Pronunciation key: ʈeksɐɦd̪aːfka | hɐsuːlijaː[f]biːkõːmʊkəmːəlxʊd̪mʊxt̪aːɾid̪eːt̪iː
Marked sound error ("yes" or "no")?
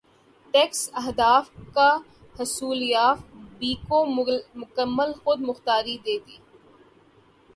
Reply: no